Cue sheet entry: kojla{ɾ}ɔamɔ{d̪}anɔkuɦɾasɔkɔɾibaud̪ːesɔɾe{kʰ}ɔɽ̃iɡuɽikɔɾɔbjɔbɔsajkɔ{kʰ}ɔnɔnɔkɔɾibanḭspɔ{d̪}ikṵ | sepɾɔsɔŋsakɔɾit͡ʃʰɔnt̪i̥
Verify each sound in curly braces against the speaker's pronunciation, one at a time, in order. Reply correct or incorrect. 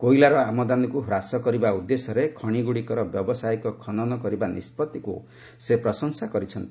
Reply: correct, correct, correct, correct, incorrect: t̪

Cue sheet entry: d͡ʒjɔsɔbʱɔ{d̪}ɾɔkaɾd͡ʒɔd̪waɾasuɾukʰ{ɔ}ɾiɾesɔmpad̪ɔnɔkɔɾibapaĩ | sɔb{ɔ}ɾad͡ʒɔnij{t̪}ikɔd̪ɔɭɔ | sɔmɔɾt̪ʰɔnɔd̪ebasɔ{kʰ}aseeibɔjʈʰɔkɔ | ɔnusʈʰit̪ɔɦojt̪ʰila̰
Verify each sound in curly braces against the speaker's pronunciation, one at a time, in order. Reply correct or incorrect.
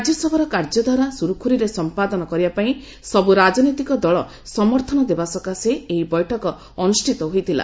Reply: incorrect: none, incorrect: u, incorrect: u, correct, incorrect: k

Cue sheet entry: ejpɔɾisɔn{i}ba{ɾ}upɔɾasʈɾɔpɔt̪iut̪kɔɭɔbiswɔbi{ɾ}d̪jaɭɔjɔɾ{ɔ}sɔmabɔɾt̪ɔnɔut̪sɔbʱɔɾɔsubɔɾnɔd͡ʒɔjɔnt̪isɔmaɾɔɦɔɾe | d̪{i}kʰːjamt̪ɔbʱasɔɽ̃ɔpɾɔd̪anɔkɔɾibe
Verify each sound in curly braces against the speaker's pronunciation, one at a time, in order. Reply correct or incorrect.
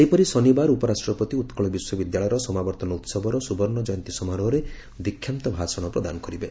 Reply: correct, correct, incorrect: none, correct, correct

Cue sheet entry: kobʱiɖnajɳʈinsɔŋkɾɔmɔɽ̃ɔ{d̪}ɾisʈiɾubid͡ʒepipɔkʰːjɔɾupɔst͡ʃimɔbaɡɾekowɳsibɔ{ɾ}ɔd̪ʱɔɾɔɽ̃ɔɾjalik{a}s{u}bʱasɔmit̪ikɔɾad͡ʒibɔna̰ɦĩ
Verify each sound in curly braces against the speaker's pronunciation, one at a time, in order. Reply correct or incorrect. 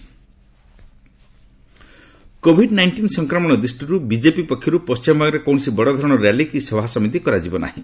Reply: correct, incorrect: ɽ, incorrect: i, incorrect: ɔ

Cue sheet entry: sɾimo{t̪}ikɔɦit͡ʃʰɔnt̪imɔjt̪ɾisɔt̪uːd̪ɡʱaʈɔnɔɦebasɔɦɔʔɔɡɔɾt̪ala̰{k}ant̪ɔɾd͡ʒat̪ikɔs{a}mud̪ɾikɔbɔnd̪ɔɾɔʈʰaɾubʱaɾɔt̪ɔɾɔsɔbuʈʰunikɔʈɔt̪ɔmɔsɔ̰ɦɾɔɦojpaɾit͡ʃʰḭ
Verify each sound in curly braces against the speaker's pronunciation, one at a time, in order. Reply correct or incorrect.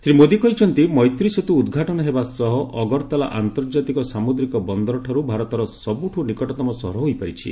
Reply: incorrect: d̪, incorrect: ʔ, correct

